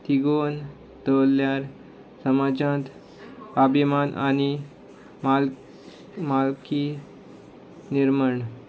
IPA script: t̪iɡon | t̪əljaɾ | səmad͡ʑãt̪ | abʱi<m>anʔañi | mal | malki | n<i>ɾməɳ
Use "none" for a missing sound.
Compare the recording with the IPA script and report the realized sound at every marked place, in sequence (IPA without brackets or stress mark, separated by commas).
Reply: m, i